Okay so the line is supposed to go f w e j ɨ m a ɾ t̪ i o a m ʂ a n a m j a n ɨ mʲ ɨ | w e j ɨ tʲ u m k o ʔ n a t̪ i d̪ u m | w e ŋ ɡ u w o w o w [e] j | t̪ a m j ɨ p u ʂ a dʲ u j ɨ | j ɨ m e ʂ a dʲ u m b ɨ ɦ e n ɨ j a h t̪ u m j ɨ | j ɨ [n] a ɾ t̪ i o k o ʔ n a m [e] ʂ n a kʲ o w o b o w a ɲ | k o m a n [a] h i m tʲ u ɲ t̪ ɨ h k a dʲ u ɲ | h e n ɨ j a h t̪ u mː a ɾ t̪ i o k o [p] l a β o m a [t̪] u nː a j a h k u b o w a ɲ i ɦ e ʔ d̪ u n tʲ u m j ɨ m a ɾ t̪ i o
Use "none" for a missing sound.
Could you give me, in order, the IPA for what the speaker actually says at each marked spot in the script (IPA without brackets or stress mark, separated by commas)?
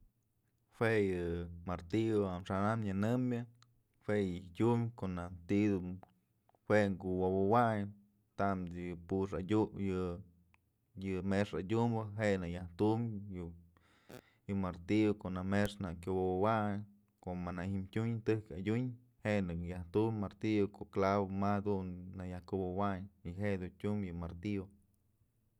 a, m, e, a, k, d̪